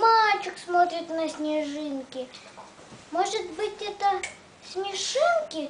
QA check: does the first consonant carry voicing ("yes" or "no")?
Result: yes